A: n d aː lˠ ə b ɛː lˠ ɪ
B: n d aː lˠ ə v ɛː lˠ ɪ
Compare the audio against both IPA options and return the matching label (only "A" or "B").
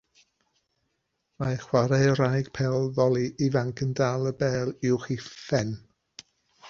A